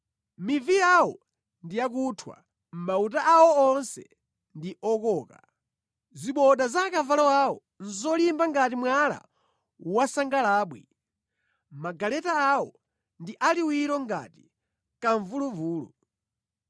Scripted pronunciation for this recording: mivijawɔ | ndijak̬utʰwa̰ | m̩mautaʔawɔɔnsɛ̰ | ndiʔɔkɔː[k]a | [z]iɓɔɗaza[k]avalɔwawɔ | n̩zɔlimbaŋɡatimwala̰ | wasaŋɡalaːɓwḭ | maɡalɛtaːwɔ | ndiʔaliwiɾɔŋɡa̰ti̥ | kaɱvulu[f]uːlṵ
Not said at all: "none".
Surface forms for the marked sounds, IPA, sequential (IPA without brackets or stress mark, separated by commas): k, z, k, v